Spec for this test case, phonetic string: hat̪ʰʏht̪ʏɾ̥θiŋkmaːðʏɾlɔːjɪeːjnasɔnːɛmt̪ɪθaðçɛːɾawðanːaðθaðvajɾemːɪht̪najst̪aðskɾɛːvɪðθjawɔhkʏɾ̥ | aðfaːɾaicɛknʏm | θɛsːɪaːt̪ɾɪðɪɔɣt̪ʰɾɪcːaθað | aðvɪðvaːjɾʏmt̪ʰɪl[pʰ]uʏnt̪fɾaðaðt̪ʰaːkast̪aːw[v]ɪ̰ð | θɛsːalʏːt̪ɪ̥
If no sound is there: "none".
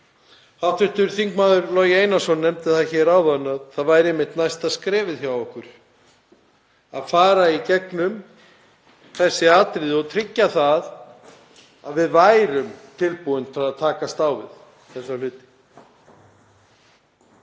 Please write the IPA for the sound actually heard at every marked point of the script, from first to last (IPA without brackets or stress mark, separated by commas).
p, v